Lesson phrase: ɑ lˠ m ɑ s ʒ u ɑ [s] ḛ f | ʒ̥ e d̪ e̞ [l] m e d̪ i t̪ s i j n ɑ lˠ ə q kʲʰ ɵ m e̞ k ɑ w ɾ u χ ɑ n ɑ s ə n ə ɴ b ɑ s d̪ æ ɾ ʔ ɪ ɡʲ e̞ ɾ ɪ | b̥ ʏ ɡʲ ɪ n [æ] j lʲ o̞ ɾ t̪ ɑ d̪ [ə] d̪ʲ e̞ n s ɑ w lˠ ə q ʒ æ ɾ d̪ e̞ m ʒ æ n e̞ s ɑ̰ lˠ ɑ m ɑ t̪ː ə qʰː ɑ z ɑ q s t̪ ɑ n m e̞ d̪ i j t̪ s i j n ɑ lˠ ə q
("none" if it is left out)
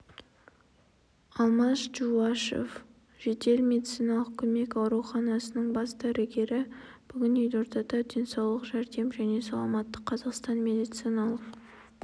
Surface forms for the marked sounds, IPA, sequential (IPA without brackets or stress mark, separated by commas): ʃ, l, e, ɑ